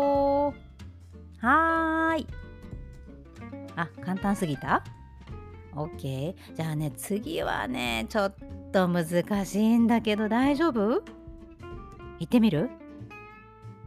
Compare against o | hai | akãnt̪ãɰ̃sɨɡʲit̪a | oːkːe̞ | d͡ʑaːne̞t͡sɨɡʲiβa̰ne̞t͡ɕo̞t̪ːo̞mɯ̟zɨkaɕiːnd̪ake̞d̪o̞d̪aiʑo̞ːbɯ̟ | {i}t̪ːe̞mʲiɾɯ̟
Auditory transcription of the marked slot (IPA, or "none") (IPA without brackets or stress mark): i